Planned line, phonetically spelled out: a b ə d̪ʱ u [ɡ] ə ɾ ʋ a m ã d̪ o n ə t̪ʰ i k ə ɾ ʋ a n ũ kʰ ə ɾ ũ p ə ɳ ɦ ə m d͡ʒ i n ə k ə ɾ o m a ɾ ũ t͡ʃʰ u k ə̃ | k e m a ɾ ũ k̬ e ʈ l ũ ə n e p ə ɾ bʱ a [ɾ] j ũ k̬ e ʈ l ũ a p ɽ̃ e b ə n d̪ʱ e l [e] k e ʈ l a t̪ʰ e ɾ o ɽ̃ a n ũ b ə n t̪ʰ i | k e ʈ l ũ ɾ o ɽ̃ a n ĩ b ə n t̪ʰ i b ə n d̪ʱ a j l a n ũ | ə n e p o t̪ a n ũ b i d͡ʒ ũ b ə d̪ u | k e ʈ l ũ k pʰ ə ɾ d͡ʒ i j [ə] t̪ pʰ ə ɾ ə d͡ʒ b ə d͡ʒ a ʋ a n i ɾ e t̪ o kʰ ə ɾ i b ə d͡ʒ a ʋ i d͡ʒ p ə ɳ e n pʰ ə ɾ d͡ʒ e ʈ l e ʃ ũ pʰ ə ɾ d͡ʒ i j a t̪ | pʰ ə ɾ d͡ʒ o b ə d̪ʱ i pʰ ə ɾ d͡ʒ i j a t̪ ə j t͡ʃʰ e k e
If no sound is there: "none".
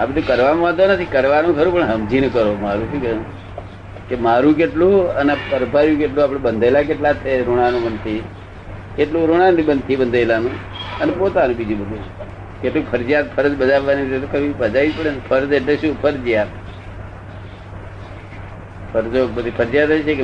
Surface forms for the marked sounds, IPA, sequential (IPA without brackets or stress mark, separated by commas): k, ɾ, a, a